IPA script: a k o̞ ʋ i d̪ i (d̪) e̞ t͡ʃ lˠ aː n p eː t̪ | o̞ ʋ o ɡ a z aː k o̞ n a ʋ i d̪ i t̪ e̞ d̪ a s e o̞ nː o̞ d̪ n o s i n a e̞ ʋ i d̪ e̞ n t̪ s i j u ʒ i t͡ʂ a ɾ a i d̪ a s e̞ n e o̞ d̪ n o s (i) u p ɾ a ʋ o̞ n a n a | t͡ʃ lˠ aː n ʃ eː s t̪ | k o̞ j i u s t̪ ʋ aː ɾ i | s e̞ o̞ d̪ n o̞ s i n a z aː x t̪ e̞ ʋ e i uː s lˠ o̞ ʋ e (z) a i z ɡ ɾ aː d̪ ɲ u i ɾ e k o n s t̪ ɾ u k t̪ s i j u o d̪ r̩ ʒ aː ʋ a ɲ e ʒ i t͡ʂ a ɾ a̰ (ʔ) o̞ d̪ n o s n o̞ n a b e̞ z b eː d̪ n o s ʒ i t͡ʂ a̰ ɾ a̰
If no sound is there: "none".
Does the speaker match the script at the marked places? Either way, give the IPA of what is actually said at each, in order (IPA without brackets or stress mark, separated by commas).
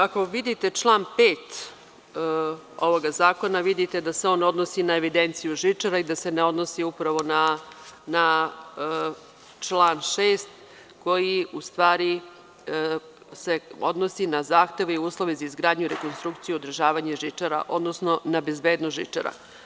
t̪, i, z, ʔ